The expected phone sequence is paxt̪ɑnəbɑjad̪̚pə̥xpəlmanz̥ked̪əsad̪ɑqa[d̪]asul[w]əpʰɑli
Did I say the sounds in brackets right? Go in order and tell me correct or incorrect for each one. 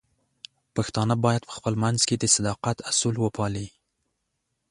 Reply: incorrect, correct

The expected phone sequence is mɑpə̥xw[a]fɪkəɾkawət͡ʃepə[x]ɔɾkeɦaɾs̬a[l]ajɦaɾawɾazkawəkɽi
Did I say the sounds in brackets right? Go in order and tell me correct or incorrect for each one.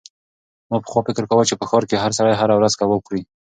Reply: incorrect, correct, incorrect

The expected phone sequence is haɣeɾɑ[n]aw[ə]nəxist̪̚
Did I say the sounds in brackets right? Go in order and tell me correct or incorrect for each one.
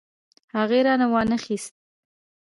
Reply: correct, incorrect

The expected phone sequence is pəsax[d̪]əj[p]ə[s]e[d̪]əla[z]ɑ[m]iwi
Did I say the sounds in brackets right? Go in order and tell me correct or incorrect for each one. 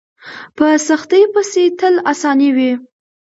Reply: incorrect, correct, correct, incorrect, incorrect, incorrect

